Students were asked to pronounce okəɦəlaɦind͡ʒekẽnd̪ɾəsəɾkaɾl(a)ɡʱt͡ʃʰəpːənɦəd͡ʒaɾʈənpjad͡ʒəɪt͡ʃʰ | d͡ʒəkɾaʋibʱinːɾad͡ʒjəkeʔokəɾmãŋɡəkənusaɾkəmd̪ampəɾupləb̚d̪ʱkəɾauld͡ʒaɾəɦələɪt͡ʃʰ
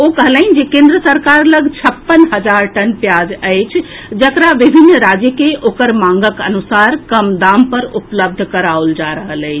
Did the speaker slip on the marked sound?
yes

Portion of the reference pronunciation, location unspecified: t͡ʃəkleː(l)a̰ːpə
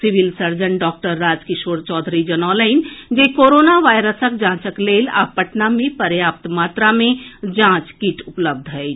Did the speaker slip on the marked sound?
no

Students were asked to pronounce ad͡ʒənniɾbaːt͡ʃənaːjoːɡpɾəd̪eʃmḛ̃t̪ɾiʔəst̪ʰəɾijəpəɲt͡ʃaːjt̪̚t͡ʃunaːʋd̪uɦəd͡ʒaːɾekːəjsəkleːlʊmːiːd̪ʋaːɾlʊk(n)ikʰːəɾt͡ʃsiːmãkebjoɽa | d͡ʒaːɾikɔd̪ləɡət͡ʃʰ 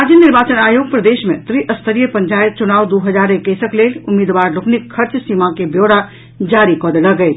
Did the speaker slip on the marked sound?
no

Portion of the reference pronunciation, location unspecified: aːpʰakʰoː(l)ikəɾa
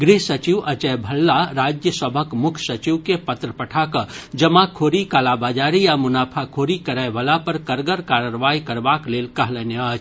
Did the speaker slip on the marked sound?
yes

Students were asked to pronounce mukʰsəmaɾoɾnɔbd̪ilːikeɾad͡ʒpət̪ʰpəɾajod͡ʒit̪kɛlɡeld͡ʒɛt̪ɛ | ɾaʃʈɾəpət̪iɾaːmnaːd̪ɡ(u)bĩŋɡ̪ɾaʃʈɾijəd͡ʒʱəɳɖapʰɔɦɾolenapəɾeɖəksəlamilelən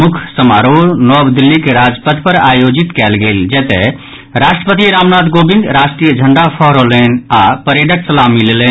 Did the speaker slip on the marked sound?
yes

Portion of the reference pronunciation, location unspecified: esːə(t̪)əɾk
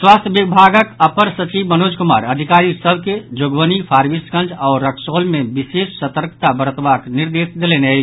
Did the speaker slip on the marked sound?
no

